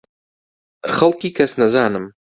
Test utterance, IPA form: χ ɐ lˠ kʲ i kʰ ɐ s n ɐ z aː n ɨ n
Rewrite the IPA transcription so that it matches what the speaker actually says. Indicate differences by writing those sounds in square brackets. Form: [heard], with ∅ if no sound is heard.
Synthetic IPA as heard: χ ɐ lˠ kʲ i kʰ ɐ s n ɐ z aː n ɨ [m]